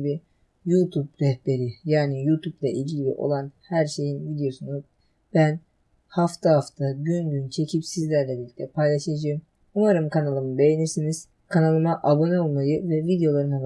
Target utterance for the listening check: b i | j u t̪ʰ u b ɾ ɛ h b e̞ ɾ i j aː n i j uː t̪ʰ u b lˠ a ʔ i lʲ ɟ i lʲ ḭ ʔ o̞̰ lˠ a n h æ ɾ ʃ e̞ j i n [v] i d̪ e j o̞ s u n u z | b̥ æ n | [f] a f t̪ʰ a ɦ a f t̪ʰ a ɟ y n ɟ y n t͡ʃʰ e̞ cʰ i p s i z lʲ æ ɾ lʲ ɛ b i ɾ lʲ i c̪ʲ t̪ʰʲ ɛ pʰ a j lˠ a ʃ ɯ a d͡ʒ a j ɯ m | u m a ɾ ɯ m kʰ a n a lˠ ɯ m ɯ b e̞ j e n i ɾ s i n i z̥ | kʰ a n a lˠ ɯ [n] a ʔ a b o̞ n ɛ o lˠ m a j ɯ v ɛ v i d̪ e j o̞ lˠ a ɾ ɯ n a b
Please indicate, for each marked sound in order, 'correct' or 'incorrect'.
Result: correct, incorrect, incorrect

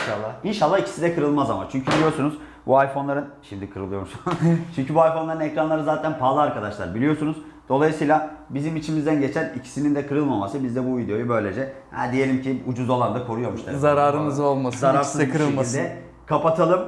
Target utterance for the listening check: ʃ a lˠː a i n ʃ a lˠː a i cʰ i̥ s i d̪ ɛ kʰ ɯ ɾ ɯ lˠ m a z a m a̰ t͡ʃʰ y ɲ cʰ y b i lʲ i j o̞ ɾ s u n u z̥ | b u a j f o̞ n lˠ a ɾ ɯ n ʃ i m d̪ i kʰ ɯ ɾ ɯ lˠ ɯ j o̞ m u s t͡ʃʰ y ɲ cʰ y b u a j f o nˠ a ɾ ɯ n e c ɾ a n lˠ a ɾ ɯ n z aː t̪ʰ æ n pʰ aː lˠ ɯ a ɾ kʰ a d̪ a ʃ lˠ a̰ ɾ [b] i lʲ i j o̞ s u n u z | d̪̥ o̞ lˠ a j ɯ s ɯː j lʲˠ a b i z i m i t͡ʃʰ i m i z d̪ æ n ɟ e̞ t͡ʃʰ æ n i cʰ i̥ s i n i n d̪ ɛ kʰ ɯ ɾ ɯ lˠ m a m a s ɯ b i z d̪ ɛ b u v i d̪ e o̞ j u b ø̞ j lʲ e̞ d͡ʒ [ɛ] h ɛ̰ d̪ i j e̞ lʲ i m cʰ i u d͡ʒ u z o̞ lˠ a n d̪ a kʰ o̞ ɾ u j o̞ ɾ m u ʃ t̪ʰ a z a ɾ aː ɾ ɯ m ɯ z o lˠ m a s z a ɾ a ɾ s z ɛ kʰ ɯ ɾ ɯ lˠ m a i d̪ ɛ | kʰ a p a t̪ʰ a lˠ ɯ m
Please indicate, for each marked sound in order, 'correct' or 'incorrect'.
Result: correct, correct

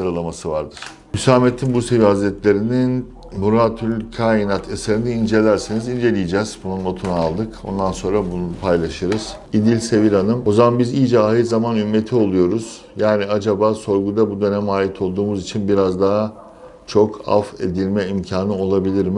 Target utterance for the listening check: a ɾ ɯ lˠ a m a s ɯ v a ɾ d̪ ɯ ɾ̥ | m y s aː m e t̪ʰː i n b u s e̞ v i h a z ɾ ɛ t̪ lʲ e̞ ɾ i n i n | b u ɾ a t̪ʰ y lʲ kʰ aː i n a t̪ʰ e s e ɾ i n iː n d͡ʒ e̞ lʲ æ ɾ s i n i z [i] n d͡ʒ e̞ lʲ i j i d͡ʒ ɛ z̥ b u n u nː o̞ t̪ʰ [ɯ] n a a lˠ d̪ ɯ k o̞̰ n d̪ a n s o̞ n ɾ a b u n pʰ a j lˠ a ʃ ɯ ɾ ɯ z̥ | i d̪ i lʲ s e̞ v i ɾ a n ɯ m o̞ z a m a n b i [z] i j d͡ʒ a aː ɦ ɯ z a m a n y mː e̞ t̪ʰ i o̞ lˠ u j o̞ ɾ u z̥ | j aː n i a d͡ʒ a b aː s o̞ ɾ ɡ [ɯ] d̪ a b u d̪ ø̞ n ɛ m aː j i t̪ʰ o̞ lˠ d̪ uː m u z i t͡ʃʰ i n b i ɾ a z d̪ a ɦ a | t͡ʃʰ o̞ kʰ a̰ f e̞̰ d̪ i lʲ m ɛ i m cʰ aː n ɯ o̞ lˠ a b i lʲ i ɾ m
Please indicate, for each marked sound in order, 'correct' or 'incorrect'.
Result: correct, incorrect, correct, incorrect

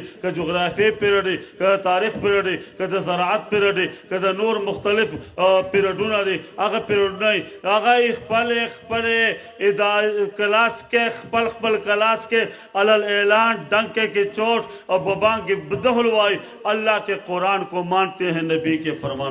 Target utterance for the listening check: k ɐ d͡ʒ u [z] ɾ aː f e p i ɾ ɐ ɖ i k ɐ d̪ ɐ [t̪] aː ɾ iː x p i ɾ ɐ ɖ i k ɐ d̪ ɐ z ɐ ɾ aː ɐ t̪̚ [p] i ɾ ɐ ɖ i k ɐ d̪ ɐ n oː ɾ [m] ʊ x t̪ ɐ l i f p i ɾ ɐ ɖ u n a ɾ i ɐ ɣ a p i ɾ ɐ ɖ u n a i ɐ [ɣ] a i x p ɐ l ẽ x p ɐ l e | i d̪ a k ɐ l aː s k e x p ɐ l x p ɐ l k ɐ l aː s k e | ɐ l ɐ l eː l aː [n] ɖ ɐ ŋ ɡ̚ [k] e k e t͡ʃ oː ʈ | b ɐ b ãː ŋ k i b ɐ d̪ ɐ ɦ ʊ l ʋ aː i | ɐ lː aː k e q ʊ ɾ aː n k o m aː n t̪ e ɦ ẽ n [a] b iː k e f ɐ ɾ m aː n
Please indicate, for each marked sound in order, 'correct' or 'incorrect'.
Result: incorrect, correct, correct, correct, correct, correct, correct, incorrect

